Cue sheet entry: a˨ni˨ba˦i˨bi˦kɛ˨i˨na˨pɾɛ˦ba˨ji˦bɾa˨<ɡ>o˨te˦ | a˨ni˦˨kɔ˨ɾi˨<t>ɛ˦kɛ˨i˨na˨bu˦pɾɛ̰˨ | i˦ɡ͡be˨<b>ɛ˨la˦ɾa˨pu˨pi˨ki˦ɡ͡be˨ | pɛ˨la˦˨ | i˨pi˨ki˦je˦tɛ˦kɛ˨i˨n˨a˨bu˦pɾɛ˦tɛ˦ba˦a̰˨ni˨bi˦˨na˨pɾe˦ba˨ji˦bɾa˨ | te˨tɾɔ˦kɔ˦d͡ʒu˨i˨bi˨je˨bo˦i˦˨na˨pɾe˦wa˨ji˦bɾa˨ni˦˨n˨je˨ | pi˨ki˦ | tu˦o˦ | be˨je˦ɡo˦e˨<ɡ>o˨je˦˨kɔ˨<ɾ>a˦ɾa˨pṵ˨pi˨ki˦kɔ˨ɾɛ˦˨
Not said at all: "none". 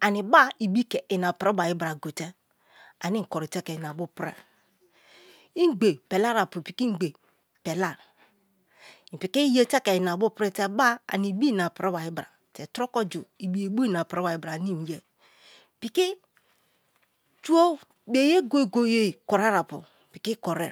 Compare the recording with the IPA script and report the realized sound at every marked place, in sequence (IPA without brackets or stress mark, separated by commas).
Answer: ɡ, t, p, ɡ, ɾ